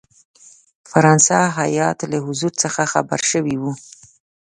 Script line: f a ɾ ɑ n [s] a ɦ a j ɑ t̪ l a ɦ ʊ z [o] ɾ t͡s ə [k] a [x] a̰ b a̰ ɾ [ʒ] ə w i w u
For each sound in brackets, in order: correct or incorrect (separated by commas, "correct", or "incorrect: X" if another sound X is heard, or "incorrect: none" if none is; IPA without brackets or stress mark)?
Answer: correct, incorrect: u, incorrect: x, correct, incorrect: ʃ